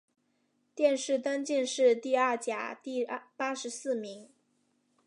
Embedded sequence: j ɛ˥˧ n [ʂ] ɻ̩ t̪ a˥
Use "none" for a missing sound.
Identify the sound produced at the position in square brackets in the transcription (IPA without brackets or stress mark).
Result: ʂ